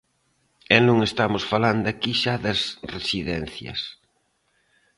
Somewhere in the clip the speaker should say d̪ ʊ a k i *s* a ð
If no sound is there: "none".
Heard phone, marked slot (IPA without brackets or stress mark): ʃ